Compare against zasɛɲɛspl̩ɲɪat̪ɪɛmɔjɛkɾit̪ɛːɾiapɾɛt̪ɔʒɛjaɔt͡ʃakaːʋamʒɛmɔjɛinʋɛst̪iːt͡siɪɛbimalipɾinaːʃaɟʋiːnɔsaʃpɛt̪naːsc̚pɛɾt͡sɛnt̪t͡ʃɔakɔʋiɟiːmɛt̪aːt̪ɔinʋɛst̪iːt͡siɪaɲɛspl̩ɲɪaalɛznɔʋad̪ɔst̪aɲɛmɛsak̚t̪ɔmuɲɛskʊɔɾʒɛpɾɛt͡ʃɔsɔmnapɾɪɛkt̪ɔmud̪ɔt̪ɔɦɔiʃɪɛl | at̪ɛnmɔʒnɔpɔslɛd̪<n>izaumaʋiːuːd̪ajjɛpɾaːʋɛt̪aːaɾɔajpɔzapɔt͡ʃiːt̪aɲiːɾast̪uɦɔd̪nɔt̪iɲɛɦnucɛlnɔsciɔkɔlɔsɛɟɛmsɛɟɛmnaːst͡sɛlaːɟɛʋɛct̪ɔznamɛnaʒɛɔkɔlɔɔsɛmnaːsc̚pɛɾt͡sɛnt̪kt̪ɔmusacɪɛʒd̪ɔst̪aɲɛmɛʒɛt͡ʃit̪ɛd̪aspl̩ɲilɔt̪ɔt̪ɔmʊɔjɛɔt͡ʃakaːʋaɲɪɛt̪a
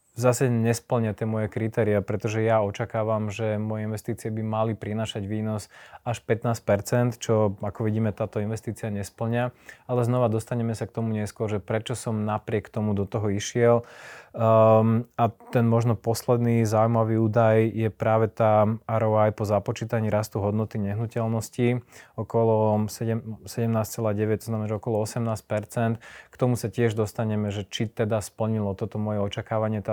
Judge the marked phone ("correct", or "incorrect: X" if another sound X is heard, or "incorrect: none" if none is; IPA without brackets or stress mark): correct